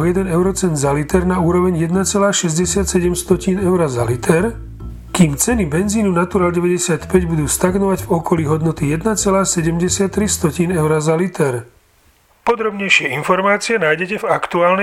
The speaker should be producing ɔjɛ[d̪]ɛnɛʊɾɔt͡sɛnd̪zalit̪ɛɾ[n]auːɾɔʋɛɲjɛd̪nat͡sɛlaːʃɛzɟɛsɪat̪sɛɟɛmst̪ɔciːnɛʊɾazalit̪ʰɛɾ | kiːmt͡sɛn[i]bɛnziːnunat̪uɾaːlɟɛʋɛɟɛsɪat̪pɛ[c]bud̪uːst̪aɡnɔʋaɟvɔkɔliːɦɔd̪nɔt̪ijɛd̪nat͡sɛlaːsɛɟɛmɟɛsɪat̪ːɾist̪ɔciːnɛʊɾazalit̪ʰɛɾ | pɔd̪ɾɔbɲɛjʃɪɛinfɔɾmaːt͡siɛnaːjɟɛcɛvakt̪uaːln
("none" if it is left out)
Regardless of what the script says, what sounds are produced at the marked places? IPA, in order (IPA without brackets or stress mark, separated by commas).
d̪, n, i, ɟ